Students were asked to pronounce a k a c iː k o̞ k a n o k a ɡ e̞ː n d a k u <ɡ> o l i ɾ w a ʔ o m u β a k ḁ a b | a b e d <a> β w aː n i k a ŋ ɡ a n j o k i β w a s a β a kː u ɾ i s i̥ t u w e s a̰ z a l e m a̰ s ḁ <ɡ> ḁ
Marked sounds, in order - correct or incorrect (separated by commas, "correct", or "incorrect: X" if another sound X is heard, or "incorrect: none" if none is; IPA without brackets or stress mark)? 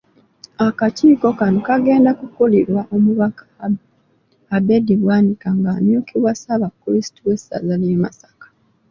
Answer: incorrect: k, incorrect: i, incorrect: k